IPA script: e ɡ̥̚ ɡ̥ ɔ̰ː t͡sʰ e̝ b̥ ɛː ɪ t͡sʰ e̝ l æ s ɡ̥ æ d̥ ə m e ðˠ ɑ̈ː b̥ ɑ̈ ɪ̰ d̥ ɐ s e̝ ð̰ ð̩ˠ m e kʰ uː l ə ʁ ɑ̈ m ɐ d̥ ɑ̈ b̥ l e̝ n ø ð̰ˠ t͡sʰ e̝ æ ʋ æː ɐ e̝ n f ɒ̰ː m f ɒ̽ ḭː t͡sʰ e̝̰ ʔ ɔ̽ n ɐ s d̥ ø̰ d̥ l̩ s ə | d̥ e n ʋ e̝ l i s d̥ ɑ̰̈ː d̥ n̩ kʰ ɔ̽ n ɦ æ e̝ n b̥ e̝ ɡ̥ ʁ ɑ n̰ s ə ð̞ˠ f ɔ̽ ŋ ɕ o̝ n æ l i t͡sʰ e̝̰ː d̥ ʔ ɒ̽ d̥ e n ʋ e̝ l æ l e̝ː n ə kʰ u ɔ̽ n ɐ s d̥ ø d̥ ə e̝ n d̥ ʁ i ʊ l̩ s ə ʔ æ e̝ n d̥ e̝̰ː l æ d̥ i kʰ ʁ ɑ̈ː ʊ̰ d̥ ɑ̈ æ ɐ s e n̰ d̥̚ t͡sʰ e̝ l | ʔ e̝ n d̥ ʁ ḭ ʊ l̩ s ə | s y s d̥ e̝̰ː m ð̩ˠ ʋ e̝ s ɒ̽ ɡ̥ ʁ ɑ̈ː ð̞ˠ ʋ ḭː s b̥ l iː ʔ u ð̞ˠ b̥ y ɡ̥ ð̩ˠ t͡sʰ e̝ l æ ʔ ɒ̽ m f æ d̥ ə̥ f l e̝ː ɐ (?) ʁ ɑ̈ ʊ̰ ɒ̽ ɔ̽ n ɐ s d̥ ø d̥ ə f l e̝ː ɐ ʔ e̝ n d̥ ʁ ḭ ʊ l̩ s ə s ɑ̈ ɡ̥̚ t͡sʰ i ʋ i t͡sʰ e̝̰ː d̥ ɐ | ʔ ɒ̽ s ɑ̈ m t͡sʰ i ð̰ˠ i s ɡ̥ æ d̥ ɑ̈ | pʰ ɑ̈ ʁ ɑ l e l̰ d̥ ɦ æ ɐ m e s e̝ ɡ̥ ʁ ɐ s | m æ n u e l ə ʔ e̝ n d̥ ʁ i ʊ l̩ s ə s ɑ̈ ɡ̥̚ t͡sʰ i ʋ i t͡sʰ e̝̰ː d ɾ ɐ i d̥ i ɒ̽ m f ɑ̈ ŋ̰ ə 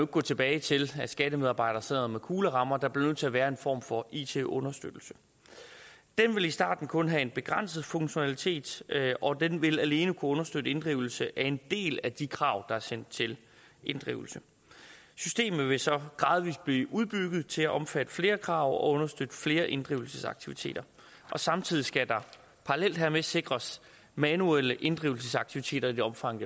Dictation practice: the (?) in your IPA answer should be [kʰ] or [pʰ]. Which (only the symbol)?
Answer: kʰ